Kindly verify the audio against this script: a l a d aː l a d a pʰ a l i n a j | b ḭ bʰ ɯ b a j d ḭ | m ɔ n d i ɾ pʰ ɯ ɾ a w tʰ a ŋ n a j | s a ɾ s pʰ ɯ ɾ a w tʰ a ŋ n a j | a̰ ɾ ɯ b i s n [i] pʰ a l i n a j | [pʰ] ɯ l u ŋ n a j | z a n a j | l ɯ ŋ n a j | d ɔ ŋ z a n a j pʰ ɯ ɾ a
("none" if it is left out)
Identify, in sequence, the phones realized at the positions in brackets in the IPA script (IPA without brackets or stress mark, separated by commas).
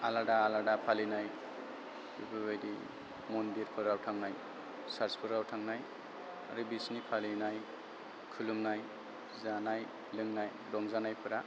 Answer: i, kʰ